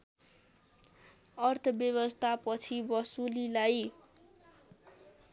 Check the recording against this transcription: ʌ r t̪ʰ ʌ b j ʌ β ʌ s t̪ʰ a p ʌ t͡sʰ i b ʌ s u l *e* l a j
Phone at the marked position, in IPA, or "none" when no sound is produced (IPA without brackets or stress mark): i